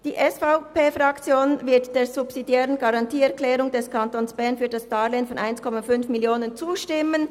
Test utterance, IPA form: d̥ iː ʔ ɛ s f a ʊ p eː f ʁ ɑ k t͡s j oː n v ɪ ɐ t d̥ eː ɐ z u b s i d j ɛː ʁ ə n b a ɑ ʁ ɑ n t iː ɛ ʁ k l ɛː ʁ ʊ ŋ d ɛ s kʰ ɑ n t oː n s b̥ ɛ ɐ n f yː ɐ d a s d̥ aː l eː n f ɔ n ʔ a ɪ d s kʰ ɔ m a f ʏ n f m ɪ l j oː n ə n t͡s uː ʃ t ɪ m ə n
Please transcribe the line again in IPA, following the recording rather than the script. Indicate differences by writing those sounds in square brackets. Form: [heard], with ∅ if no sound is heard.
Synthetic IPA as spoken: d̥ iː ʔ ɛ s f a ʊ p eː f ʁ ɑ k t͡s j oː n v ɪ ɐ t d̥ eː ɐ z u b s i d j ɛː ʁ ə n [ɡ] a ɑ ʁ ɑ n t iː ɛ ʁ k l ɛː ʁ ʊ ŋ d ɛ s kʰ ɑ n t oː n s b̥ ɛ ɐ n f yː ɐ d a s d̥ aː l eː n f ɔ n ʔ a ɪ [n] s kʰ ɔ m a f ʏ n f m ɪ l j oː n ə n t͡s uː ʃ t ɪ m ə n